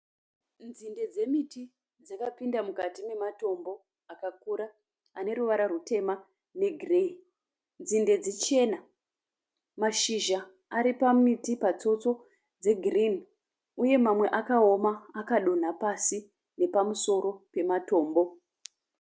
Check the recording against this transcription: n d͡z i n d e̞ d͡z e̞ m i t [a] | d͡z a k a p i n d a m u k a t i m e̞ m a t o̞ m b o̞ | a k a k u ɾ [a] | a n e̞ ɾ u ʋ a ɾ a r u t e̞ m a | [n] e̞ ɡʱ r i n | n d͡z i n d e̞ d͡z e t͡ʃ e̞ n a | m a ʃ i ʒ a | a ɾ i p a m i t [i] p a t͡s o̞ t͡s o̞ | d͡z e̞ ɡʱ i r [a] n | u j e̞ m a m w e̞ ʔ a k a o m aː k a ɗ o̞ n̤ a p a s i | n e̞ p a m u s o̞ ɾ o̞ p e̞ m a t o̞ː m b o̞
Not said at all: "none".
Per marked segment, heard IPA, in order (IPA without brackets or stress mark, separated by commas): i, a, n, i, i